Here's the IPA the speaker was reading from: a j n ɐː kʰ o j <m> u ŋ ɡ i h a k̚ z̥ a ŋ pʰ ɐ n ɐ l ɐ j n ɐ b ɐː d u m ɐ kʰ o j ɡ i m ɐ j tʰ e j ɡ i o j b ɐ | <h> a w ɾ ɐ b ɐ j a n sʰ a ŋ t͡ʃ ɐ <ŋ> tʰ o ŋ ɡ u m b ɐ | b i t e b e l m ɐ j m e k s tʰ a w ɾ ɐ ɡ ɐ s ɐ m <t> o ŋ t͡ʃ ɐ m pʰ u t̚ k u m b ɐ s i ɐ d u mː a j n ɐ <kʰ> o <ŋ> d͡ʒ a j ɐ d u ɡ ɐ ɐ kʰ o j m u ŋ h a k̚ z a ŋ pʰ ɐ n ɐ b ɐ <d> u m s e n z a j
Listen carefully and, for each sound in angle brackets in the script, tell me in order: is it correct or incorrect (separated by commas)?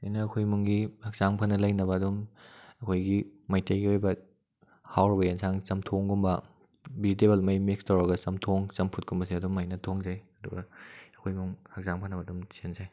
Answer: correct, correct, incorrect, incorrect, incorrect, correct, correct